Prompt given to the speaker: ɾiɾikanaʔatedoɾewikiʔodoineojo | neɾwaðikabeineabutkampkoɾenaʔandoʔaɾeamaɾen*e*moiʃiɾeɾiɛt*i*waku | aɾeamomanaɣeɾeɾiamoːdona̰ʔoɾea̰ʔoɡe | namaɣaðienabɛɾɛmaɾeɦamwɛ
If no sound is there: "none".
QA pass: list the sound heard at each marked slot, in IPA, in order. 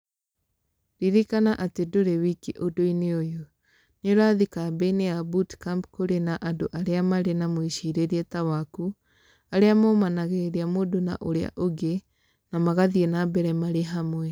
a, a

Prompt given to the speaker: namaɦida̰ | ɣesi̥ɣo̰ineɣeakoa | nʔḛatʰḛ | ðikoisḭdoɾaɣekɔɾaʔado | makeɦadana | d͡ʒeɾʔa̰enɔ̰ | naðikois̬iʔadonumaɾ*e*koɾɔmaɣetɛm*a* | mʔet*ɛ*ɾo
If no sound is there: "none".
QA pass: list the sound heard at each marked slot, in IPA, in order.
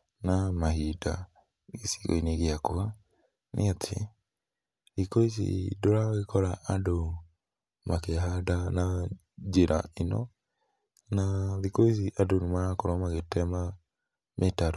a, a, a

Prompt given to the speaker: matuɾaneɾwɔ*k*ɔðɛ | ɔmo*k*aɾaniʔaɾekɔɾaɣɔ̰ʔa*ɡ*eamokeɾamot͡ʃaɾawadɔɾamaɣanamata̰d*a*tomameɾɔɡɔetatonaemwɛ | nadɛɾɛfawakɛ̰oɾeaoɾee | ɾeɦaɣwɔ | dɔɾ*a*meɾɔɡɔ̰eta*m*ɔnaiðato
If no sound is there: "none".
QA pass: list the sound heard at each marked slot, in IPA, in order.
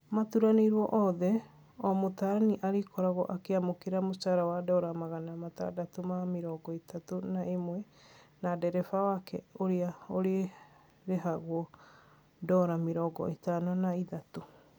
ʔ, t, k, a, a, n

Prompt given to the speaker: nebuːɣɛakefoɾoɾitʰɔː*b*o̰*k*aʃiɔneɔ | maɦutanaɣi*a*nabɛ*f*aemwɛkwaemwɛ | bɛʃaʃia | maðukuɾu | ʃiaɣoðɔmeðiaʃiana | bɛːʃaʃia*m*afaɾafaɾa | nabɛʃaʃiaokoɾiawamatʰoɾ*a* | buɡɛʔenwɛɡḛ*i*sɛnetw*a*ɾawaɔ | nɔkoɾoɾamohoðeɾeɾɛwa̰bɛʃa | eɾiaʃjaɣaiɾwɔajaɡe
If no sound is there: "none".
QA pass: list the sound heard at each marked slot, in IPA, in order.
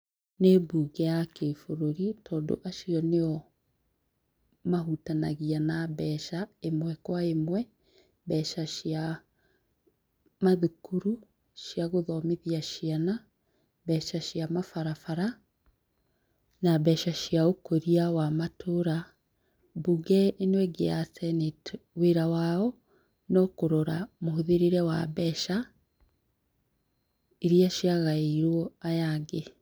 d, ʔ, a, ʃ, m, a, a, e

